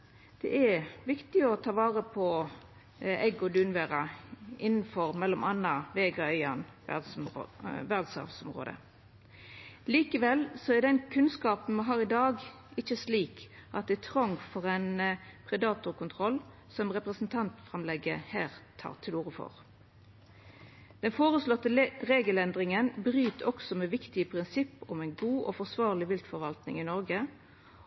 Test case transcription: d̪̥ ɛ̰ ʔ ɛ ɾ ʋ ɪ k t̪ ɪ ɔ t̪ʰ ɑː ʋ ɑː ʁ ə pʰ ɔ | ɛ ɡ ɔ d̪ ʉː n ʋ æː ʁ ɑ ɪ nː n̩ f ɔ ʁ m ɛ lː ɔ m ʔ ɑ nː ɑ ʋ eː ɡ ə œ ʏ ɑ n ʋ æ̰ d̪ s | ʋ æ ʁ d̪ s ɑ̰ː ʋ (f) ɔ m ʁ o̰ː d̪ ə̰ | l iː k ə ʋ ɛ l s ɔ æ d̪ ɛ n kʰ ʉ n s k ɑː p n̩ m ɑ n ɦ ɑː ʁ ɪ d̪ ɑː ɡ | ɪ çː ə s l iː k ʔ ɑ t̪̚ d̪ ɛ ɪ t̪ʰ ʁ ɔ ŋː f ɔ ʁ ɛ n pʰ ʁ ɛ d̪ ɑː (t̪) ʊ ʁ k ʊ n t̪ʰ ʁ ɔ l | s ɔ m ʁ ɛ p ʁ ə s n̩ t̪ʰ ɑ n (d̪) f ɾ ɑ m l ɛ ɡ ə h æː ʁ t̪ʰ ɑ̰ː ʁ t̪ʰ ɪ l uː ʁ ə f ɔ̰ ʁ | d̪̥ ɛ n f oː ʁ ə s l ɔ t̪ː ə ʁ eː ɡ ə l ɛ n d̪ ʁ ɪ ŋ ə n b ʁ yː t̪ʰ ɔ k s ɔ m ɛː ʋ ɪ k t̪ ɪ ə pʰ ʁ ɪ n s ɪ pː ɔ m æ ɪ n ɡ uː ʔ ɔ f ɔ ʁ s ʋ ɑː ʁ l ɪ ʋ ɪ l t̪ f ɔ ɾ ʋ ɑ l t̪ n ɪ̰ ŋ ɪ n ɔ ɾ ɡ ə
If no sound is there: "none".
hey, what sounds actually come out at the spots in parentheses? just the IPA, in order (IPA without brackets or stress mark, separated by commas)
s, t̪, t̪